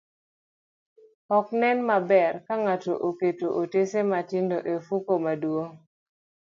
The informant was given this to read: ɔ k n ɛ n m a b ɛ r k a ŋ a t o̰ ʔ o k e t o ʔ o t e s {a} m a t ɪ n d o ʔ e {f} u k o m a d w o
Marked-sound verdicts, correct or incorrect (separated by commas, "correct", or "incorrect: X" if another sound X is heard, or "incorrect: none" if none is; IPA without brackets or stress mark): incorrect: e, correct